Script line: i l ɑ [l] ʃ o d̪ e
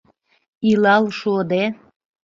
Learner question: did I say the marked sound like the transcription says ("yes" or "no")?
yes